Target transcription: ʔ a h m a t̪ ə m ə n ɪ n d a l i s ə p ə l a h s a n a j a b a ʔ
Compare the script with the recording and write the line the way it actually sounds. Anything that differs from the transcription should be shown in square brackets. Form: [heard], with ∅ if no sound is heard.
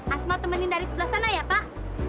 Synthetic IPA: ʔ a [s] m a t̪ ə m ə n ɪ n d a [ɾ] i s ə [b] ə l a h s a n a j a [p] a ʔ

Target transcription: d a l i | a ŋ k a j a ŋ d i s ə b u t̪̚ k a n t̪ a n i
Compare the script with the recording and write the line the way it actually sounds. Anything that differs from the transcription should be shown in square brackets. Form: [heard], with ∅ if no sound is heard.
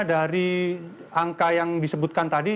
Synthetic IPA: d a [ɾ] i | a ŋ k a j a ŋ d i s ə b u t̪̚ k a n t̪ a [d] i

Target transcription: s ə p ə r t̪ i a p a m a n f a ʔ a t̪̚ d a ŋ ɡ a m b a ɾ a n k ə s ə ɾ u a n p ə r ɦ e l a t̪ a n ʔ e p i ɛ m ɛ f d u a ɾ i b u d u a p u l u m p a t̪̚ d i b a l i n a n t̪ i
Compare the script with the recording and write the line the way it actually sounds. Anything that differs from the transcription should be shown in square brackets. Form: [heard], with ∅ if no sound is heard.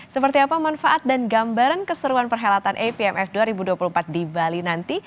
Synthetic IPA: s ə p ə r t̪ i a p a m a n f a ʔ a t̪̚ d a [n] ɡ a m b a ɾ a n k ə s ə ɾ u a n p ə r ɦ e l a t̪ a n ʔ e p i ɛ m ɛ f d u a ɾ i b u d u a p u l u m p a t̪̚ d i b a l i n a n t̪ i

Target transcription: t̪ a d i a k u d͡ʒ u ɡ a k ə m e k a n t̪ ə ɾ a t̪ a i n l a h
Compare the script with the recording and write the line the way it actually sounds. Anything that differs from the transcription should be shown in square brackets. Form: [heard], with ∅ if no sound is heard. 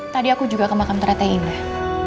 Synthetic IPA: t̪ a d i a k u d͡ʒ u ɡ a k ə m [a] k a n t̪ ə ɾ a t̪ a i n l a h

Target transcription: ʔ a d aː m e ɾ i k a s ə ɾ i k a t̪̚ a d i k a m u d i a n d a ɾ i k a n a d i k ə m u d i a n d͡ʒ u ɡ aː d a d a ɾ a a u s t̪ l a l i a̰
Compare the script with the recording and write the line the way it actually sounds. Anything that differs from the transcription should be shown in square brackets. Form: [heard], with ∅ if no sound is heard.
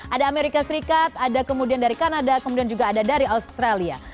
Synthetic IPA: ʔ a d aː m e ɾ i k a s ə ɾ i k a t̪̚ a d [a] k [ə] m u d i a n d a ɾ i k a n a d [a] k ə m u d i a n d͡ʒ u ɡ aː d a d a ɾ [i] a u s t̪ [ɾ] a l i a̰

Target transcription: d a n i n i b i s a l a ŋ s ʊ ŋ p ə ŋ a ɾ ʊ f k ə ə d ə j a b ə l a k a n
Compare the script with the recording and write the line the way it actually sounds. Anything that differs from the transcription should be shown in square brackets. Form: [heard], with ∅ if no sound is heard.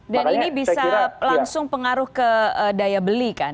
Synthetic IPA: d a n i n i b i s a l a ŋ s ʊ ŋ p ə ŋ a ɾ ʊ [h] k ə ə d [a] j a b ə l [i] k a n

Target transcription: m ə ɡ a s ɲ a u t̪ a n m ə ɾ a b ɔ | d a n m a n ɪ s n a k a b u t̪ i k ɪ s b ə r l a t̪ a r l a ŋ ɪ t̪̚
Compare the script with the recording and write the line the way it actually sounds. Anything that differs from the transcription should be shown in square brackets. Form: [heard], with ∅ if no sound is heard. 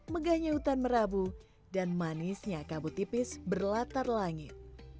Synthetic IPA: m ə ɡ a [h] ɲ a u t̪ a n m ə ɾ a b [u] | d a n m a n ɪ s [ɲ] a k a b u t̪ i [p] ɪ s b ə r l a t̪ a r l a ŋ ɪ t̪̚

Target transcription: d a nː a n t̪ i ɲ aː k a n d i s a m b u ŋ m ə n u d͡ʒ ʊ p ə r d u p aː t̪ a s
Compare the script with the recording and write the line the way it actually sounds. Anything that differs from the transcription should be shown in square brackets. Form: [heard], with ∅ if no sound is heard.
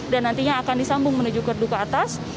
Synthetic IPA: d a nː a n t̪ i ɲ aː k a n d i s a m b [ʊ] ŋ m ə n u d͡ʒ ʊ [k] ə r d u [k] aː t̪ a s

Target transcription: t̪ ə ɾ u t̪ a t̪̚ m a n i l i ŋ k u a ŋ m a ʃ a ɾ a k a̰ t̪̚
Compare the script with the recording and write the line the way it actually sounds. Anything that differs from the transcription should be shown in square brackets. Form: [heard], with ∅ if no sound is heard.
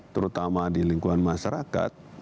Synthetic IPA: t̪ ə ɾ u t̪ a [∅] m a [d] i l i ŋ k u a [n] m a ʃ a ɾ a k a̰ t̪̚

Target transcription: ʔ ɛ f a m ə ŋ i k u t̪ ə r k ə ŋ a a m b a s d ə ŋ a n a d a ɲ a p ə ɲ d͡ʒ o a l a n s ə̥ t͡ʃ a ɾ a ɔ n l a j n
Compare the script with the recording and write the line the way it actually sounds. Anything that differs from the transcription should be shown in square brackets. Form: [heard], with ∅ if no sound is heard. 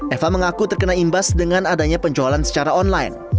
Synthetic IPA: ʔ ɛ f a m ə ŋ [a] k u t̪ ə r k ə [n] a [i] m b a s d ə ŋ a n a d a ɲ a p ə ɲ d͡ʒ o a l a n s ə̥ t͡ʃ a ɾ a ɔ n l a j n

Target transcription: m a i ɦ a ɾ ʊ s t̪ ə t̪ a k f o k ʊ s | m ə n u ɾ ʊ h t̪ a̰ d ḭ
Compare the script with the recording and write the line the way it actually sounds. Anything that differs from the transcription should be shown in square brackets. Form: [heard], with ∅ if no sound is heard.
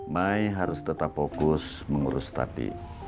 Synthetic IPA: m a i ɦ a ɾ ʊ s t̪ ə t̪ a [p] f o k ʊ s | m ə [ŋ] u ɾ ʊ [s] t̪ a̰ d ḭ

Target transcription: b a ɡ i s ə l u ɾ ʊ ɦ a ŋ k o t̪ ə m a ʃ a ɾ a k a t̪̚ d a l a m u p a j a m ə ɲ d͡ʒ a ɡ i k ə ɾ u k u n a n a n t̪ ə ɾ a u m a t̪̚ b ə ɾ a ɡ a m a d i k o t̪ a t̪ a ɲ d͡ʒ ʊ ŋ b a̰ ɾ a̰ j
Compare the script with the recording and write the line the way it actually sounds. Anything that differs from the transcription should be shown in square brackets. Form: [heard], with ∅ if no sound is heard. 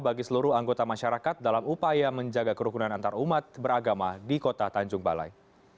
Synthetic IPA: b a ɡ i s ə l u ɾ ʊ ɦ a ŋ [ɡ] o t̪ [a] m a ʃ a ɾ a k a t̪̚ d a l a m u p a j a m ə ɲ d͡ʒ a ɡ [a] k ə ɾ u k u n a n a n t̪ [a] ɾ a u m a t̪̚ b ə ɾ a ɡ a m a d i k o t̪ a t̪ a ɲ d͡ʒ ʊ ŋ b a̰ [l] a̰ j

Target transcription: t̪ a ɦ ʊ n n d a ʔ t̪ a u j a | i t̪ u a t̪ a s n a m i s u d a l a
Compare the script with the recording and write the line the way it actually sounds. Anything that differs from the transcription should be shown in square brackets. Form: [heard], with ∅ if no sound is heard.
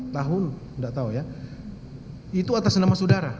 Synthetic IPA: t̪ a ɦ ʊ n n d a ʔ t̪ a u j a | i t̪ u a t̪ a s n a m [a] s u d a [ɾ] a

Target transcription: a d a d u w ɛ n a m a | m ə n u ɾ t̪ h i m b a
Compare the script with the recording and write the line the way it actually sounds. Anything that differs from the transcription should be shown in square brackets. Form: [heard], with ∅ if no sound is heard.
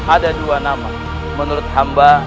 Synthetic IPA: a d a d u w [a] n a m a | m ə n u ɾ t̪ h [a] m b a

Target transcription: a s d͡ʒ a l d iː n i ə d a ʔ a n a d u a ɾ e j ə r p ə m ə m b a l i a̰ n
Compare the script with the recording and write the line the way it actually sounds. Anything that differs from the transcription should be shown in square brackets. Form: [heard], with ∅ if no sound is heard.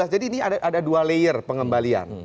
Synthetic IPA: a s d͡ʒ a [∅] d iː n i [a] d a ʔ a [d] a d u a [l] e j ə r p ə [ŋ] ə m b a l i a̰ n

